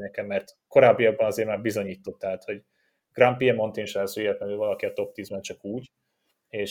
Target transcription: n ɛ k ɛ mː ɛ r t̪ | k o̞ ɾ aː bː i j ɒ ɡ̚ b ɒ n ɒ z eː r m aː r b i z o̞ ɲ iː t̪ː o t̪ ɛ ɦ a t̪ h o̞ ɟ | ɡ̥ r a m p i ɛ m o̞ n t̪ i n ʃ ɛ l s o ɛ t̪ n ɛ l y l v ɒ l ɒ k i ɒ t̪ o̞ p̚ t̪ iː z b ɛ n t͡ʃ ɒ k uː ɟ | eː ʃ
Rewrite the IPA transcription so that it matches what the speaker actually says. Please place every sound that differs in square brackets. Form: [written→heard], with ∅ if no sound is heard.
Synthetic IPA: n ɛ k ɛ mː ɛ r t̪ | k o̞ ɾ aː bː i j ɒ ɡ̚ b ɒ n ɒ z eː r m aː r b i z o̞ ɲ iː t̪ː o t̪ ɛ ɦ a t̪ h o̞ ɟ | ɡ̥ r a m p i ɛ m o̞ n t̪ i n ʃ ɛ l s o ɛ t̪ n ɛ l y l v ɒ l ɒ k i ɒ t̪ o̞ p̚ t̪ iː z b ɛ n t͡ʃ ɒ k uː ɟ | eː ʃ